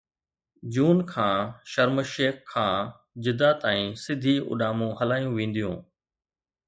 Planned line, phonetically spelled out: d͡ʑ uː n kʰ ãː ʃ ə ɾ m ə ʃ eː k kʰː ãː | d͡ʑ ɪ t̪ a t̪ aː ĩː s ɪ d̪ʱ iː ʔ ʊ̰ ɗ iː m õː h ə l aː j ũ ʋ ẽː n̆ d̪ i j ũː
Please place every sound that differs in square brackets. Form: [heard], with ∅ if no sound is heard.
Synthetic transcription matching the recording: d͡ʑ uː n kʰ ãː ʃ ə ɾ m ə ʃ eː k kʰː ãː | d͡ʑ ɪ [d̪] a t̪ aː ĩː s ɪ d̪ʱ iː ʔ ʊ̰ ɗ [aː] m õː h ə l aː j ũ ʋ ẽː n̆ d̪ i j ũː